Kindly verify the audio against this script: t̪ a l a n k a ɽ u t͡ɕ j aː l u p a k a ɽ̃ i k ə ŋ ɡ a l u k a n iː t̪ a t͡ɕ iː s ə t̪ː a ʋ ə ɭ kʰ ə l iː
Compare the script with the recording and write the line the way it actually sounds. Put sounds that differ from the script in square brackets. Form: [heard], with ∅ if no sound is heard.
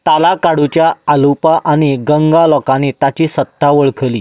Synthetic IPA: t̪ a l a [∅] k a ɽ u t͡ɕ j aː l u p a [ʔ] a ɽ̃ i [ɡ] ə ŋ ɡ a l [ɔ] k a n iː t̪ a t͡ɕ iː s ə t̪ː a ʋ ə ɭ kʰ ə l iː